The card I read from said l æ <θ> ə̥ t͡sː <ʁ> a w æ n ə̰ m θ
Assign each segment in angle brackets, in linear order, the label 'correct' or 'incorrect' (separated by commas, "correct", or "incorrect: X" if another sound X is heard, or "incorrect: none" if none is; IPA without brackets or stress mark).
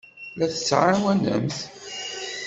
correct, incorrect: ʕ